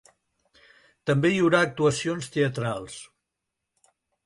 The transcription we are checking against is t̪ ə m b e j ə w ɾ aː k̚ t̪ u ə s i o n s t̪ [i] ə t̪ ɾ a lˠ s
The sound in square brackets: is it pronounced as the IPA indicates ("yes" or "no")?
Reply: no